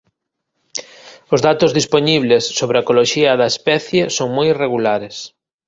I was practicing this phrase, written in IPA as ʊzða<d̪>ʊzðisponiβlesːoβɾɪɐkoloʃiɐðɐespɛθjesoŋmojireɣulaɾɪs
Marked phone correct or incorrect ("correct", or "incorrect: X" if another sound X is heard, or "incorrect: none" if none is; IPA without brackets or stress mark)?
incorrect: t̪